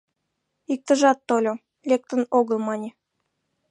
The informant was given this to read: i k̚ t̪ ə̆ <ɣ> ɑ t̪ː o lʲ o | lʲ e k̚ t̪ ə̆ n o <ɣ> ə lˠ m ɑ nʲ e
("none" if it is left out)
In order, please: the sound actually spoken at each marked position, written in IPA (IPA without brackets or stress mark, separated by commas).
ʒ, ɣ